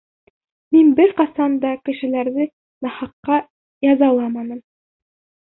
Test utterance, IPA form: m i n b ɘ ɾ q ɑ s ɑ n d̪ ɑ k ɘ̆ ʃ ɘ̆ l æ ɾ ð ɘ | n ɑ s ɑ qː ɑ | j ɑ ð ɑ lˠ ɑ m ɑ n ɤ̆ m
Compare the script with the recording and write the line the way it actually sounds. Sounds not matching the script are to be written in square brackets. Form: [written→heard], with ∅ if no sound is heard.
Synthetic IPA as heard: m i n b ɘ ɾ q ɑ s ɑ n d̪ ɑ k ɘ̆ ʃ ɘ̆ l æ ɾ ð ɘ | n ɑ [s→h] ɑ qː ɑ | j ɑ [ð→z] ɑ lˠ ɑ m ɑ n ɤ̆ m

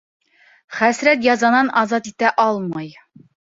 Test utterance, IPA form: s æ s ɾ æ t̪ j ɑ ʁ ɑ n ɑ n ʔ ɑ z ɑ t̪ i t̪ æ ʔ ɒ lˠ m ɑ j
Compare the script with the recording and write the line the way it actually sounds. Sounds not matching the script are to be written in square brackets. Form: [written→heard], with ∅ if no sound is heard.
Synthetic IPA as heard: [s→χ] æ s ɾ æ t̪ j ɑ [ʁ→z] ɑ n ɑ n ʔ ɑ z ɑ t̪ i t̪ æ ʔ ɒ lˠ m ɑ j

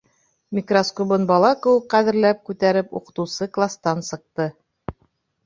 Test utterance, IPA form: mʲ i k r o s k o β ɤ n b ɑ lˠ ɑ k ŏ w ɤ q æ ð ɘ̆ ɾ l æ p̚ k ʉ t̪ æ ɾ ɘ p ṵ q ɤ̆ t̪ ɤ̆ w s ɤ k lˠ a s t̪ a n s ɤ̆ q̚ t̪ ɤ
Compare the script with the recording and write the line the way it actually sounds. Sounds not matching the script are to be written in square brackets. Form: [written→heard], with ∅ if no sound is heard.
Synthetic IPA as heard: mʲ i k r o s k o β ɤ n b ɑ lˠ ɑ k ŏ w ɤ q æ ð ɘ̆ ɾ l æ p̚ k ʉ t̪ æ ɾ ɘ p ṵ q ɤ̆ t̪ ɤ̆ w s ɤ k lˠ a s t̪ [a→ɑ] n s ɤ̆ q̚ t̪ ɤ

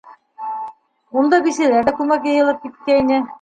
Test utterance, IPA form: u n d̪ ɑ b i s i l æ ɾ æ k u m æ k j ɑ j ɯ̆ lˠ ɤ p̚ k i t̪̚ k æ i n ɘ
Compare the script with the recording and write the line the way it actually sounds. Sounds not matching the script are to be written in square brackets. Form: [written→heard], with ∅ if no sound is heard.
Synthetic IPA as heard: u n d̪ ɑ b i s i l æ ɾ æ k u m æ k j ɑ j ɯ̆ lˠ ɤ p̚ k i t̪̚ k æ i n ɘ

